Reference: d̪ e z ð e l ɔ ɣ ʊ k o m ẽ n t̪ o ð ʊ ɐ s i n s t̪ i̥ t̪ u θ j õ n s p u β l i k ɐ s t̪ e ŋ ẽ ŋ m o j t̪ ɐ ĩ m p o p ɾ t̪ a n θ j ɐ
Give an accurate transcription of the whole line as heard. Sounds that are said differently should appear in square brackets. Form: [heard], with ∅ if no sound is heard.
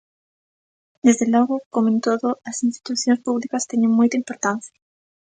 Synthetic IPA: d̪ e z ð e l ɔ ɣ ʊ k o m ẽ n t̪ o ð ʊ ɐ s i n s t̪ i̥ t̪ u θ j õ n s p u β l i k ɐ s t̪ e [ɲ] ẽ ŋ m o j t̪ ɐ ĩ m p o [∅] ɾ t̪ a n θ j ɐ